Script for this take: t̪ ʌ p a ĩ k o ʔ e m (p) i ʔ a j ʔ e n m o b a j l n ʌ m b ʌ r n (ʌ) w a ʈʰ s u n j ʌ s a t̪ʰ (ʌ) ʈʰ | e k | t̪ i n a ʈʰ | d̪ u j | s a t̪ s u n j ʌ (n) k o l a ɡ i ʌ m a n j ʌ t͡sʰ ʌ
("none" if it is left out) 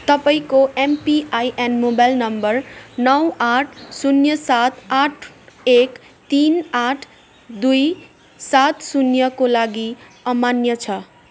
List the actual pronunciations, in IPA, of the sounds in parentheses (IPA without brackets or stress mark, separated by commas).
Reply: p, ʌ, a, none